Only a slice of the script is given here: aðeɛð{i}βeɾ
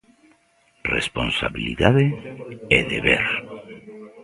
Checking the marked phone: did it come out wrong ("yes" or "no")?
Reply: yes